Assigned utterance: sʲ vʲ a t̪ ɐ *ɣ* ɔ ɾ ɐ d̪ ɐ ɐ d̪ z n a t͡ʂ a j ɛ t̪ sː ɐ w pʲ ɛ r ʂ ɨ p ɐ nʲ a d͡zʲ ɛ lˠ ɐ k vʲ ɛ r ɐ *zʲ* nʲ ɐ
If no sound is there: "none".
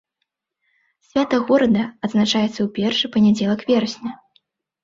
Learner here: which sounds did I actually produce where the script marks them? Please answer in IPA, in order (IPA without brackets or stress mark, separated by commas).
ɣ, sʲ